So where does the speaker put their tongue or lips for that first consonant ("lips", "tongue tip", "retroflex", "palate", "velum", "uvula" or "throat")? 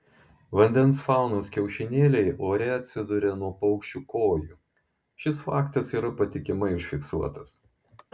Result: lips